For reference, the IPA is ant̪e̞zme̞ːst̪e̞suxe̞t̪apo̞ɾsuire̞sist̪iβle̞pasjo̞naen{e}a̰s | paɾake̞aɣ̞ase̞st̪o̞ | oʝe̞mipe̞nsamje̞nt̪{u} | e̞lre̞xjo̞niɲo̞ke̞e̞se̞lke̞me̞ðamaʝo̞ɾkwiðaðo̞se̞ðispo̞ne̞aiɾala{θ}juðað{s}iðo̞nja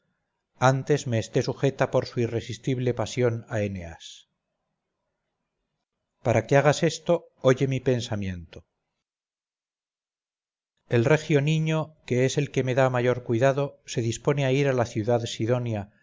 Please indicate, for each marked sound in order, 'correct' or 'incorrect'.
correct, incorrect: o, correct, correct

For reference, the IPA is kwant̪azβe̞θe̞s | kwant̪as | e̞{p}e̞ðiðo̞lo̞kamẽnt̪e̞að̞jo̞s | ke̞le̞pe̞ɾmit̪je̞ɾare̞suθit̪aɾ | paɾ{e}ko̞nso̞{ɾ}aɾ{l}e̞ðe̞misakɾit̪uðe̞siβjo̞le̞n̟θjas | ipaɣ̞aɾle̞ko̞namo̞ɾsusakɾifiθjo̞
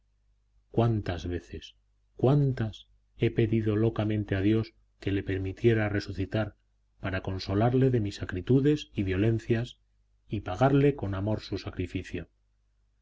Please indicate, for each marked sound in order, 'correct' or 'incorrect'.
correct, incorrect: a, incorrect: l, correct

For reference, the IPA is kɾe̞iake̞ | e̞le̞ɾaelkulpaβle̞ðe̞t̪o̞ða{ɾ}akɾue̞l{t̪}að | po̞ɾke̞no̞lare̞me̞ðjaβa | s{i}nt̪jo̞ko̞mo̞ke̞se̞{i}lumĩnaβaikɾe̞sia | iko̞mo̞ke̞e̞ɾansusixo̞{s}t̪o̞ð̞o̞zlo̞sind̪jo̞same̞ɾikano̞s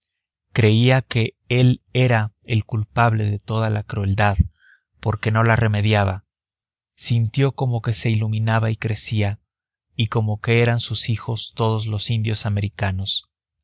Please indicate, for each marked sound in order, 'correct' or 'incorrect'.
incorrect: l, incorrect: d̪, correct, correct, correct

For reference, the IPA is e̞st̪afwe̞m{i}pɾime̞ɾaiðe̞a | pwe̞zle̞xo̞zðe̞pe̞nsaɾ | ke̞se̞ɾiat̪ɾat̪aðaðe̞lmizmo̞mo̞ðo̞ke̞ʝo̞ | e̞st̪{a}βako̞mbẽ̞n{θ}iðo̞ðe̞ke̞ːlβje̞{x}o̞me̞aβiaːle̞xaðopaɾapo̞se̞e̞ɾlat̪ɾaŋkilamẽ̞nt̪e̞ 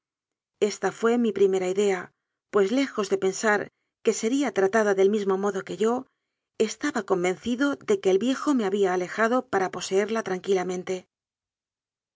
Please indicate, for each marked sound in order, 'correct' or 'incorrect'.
correct, correct, correct, correct

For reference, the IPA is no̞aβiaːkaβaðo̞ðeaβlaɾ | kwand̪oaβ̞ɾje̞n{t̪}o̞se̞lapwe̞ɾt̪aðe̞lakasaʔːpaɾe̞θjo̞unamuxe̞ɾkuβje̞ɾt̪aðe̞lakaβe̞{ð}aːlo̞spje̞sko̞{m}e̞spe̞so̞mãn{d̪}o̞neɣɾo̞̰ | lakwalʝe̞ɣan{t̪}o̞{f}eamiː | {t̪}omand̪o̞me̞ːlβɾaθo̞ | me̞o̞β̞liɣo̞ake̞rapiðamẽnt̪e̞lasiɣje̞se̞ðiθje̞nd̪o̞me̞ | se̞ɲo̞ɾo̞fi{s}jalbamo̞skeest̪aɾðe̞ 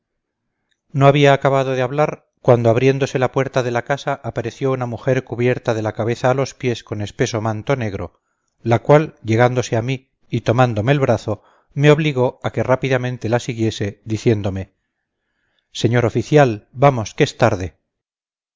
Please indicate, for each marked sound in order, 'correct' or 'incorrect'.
incorrect: d̪, incorrect: θ, incorrect: n, incorrect: t̪, incorrect: d̪, incorrect: s, correct, incorrect: θ

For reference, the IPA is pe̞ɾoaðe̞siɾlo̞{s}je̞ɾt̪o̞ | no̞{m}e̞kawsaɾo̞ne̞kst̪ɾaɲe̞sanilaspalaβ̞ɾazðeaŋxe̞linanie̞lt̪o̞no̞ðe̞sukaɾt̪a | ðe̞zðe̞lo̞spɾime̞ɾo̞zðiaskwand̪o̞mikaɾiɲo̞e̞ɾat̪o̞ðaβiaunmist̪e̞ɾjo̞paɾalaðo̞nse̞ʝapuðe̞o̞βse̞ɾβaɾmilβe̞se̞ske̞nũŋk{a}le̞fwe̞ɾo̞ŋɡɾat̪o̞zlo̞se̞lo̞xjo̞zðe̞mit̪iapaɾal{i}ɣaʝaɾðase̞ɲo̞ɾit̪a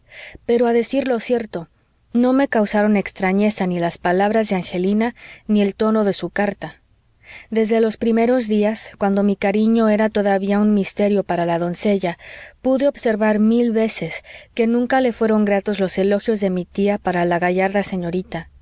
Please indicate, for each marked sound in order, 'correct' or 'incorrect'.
correct, correct, correct, incorrect: a

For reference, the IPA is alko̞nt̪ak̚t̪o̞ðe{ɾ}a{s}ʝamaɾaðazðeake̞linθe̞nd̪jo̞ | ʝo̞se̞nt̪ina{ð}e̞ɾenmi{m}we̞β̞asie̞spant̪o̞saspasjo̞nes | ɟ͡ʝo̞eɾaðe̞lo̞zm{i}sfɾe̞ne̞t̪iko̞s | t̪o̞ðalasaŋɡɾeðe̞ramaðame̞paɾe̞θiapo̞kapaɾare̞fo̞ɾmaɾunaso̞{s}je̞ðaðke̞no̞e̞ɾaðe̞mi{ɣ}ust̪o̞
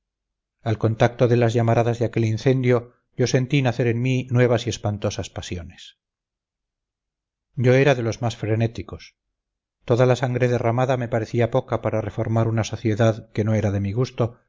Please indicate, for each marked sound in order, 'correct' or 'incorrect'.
incorrect: l, incorrect: z, incorrect: θ, incorrect: n, incorrect: a, incorrect: θ, correct

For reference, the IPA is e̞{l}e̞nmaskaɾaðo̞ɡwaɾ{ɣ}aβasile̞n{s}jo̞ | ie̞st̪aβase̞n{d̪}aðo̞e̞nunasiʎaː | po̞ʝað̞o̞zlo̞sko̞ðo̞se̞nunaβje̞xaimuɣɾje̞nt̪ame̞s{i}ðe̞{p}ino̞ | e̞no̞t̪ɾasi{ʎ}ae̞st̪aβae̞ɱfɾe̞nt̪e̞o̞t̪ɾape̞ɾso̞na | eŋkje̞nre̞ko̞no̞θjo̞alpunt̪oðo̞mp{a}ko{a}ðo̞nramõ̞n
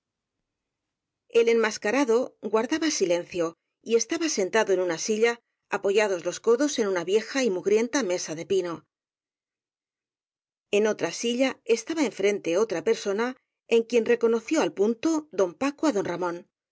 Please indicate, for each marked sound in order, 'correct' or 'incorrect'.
correct, incorrect: ð, incorrect: θ, incorrect: t̪, incorrect: a, correct, correct, correct, correct

